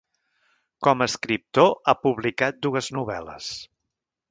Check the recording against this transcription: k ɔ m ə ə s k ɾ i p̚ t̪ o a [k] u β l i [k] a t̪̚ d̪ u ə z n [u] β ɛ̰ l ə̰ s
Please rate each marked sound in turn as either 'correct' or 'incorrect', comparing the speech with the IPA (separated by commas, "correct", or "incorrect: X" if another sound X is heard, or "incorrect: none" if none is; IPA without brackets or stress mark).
incorrect: p, correct, correct